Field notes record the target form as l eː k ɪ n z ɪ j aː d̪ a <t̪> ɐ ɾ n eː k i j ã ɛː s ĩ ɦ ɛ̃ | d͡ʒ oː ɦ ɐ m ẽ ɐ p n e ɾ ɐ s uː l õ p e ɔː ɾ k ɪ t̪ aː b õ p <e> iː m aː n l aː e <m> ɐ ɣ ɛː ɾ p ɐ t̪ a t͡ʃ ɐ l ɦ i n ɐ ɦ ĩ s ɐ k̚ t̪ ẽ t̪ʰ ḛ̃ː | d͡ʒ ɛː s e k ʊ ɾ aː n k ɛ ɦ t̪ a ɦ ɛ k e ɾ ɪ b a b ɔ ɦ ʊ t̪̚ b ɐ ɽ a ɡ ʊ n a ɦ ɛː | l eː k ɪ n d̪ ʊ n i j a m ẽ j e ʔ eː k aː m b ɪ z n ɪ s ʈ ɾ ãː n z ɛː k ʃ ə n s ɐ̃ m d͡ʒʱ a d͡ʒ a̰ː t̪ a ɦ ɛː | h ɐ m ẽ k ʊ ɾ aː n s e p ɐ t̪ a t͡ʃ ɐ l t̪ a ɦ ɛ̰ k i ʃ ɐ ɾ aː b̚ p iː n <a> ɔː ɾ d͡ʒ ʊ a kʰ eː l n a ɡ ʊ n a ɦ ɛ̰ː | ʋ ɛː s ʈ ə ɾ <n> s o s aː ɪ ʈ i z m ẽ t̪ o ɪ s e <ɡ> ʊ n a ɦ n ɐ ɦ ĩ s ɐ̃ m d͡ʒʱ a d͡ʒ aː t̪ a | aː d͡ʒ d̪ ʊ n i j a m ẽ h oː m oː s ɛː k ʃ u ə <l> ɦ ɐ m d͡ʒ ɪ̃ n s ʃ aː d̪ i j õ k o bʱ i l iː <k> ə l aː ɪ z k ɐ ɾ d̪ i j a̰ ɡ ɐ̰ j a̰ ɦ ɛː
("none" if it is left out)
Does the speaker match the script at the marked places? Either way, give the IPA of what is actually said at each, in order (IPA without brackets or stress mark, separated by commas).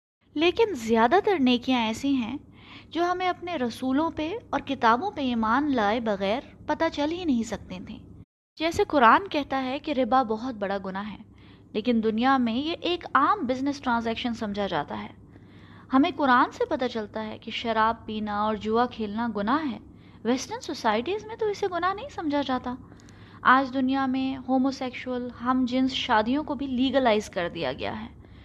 t̪, e, b, a, n, ɡ, l, ɡ